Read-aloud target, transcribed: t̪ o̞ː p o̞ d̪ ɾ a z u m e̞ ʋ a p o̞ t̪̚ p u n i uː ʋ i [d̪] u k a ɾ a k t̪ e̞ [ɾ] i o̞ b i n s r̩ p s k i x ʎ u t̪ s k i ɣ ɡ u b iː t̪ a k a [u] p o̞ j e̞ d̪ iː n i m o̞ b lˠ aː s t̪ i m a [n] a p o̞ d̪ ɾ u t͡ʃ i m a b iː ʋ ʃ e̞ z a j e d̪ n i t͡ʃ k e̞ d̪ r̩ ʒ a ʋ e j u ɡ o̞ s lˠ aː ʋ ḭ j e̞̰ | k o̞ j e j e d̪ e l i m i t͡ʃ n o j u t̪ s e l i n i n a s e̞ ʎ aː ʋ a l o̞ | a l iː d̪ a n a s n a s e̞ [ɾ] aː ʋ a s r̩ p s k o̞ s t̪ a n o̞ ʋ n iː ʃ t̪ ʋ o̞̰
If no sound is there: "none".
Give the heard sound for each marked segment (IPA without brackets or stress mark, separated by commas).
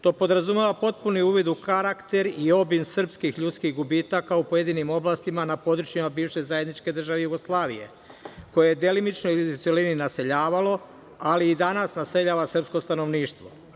d̪, ɾ, u, n, ʎ